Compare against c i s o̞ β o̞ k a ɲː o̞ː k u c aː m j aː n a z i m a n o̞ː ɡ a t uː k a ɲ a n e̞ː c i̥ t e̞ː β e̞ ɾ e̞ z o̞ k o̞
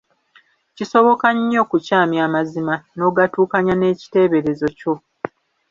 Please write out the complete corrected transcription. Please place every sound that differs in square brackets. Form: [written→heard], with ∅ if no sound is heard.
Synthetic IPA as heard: c i s o̞ β o̞ k a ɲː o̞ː k u c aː m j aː [n→m] a z i m a n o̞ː ɡ a t uː k a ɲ a n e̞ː c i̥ t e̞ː β e̞ ɾ e̞ z o̞ [k→c] o̞